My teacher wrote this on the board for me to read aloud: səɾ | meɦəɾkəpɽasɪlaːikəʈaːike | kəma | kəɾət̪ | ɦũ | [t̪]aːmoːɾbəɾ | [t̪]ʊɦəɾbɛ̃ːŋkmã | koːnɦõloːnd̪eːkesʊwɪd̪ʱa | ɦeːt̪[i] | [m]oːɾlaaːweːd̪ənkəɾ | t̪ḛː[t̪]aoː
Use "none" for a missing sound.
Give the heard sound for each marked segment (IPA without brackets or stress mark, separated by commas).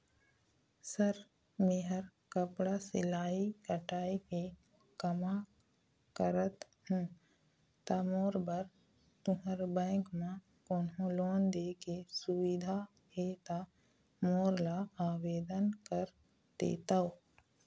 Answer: t̪, t̪, a, m, t̪